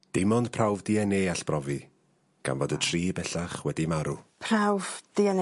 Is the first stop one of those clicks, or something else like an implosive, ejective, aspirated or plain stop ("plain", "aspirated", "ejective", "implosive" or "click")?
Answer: plain